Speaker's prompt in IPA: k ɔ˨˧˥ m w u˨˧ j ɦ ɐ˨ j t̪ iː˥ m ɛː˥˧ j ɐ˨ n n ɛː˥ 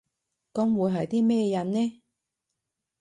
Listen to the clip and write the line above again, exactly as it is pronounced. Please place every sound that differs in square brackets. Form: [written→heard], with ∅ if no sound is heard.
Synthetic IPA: k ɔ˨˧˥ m w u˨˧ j ɦ ɐ˨ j t̪ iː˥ m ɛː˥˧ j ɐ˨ n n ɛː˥